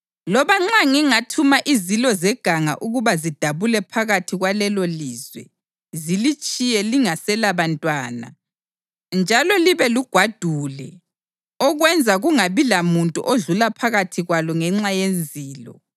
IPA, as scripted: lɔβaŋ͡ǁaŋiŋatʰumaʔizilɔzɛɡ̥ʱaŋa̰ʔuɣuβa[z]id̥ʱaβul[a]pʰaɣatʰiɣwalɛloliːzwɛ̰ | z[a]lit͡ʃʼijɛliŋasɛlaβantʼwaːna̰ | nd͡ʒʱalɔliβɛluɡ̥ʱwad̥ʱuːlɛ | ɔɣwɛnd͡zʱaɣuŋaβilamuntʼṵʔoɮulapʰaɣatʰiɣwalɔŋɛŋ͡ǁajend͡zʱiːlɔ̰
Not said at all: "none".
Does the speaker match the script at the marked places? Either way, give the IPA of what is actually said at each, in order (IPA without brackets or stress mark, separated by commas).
z, ɛ, i